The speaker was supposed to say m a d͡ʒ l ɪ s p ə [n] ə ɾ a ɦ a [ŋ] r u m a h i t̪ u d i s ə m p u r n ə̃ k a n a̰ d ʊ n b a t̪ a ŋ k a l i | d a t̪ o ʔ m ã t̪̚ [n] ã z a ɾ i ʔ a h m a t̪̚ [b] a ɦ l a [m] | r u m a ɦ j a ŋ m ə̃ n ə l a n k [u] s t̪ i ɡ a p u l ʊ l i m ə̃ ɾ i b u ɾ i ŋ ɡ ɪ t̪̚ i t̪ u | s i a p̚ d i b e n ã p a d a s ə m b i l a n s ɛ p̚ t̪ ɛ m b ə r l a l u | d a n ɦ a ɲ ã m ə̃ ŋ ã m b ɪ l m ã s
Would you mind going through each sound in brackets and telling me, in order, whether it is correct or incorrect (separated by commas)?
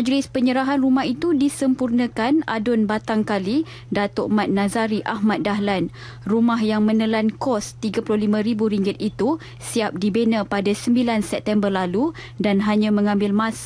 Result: incorrect, incorrect, correct, incorrect, incorrect, incorrect